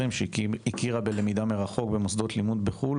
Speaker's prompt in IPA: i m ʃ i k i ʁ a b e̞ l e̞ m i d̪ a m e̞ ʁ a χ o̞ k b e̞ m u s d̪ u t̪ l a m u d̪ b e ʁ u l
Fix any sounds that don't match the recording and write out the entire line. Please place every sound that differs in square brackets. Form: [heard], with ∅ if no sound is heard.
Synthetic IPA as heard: i m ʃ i k i ʁ a b e̞ l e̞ m i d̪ a m e̞ ʁ a χ o̞ k b e̞ m [o] s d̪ [o] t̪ l [i] m u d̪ b e [χ] u l